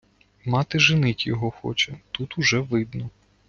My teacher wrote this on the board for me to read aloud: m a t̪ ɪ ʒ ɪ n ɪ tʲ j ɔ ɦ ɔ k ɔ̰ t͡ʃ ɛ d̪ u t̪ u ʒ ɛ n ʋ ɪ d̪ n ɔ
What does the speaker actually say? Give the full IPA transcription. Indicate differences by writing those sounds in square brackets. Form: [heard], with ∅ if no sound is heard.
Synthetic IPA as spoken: m [ɑ] t̪ ɪ ʒ ɪ n ɪ tʲ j ɔ ɦ ɔ [x] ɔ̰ t͡ʃ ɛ [t̪] u t̪ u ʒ ɛ [∅] ʋ ɪ d̪ n ɔ